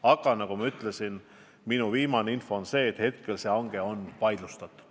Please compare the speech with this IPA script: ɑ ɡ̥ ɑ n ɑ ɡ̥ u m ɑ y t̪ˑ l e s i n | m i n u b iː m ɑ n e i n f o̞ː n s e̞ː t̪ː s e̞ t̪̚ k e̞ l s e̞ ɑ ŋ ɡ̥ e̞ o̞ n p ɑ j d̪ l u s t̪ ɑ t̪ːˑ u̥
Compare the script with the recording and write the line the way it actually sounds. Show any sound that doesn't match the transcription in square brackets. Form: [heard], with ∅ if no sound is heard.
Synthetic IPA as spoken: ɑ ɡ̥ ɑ n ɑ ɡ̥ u m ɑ y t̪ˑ l e s i n | m i n u [v] iː m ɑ n e i n f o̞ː n s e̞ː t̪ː [h] e̞ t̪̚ k e̞ l s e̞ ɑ ŋ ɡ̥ e̞ o̞ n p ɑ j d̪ l u s t̪ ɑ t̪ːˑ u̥